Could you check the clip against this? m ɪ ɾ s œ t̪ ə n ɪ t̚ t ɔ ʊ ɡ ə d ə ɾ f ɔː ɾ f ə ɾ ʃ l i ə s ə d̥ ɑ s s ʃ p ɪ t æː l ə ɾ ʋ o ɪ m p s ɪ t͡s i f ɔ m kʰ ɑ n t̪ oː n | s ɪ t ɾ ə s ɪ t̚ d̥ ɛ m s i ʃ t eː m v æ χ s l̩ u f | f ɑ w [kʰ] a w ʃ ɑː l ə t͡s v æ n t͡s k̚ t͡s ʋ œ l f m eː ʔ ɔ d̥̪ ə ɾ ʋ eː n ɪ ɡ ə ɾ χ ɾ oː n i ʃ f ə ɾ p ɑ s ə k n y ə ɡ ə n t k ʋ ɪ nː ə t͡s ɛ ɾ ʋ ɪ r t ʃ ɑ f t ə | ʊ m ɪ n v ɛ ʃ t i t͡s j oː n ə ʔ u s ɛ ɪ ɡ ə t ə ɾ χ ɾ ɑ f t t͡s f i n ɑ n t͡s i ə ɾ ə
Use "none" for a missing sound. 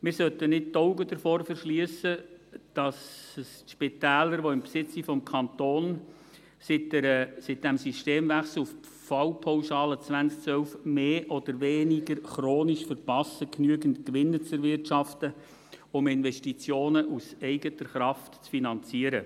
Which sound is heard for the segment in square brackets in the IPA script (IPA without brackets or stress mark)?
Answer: pʰ